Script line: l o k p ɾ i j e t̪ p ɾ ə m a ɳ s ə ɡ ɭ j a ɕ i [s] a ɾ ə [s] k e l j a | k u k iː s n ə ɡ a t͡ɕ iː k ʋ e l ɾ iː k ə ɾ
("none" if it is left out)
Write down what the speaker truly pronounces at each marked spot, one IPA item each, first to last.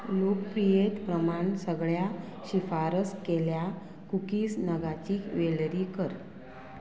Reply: f, s

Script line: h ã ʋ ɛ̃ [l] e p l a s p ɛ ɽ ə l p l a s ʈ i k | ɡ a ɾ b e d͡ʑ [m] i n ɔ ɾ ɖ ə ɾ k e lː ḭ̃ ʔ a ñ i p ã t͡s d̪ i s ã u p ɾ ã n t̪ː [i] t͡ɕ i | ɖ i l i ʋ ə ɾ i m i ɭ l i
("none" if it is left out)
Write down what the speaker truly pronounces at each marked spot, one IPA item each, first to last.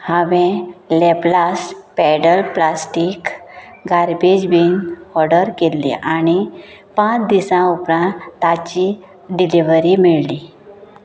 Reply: l, b, a

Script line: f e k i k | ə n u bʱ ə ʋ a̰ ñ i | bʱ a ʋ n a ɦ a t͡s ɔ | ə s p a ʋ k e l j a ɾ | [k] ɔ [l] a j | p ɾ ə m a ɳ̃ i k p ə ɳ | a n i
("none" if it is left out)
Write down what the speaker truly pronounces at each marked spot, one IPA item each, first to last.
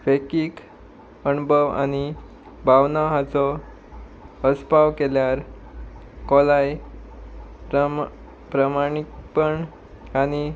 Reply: k, l

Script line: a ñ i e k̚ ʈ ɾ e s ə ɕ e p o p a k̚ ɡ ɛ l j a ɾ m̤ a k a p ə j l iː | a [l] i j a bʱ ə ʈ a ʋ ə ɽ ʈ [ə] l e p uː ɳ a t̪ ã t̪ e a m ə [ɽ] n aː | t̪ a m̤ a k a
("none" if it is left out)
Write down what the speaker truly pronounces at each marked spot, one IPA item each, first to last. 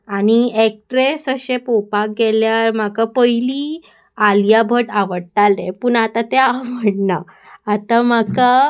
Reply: l, a, ɽ

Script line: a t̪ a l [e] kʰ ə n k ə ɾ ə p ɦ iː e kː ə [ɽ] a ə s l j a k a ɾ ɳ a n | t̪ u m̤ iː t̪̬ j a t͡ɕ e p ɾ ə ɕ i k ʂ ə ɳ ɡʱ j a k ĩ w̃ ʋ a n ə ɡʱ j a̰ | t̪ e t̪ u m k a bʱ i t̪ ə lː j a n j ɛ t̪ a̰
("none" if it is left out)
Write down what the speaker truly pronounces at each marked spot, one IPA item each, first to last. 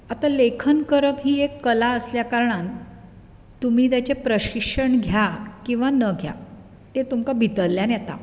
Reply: e, l

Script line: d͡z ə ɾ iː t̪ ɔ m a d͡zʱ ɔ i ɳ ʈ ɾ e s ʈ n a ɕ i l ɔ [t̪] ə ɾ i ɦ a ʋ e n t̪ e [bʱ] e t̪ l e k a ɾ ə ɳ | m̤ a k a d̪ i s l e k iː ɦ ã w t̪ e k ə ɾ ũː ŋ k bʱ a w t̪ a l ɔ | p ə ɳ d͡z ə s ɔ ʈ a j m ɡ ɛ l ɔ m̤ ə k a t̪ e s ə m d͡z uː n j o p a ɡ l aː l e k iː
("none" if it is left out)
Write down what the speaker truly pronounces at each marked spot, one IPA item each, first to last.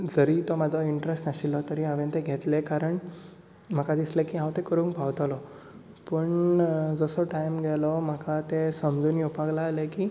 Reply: t̪, ɡʱ

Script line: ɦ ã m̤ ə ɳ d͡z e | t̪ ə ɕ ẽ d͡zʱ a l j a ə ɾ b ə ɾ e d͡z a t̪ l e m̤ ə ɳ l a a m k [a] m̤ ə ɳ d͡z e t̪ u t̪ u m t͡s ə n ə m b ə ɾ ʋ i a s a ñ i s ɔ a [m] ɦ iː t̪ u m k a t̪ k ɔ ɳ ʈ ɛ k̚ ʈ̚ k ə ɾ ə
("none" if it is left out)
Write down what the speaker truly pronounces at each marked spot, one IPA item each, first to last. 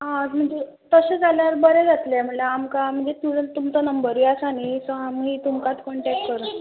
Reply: a, m

